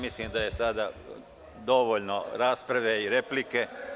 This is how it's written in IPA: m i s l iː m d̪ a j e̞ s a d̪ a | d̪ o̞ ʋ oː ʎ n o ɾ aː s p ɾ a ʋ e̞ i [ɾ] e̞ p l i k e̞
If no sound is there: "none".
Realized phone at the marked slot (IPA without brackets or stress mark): ɾ